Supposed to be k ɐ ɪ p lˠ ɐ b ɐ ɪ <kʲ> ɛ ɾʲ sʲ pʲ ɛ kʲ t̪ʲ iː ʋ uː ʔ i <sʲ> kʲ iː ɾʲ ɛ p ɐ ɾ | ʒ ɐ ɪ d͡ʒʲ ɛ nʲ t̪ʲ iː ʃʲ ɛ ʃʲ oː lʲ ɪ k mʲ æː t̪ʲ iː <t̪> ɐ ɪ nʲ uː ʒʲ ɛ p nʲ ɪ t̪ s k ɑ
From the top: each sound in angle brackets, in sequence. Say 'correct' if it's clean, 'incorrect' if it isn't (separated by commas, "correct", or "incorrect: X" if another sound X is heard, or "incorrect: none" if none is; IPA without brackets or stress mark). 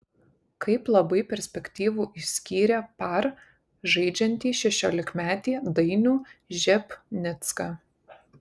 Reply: incorrect: pʲ, correct, incorrect: d̪